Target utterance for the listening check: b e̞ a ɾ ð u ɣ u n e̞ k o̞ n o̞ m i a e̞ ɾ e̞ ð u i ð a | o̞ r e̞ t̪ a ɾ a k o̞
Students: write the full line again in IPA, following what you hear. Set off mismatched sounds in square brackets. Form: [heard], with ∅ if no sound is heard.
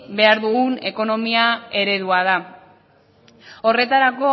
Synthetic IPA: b e̞ a ɾ ð u ɣ u n e̞ k o̞ n o̞ m i a e̞ ɾ e̞ ð u [a] ð a | o̞ r e̞ t̪ a ɾ a k o̞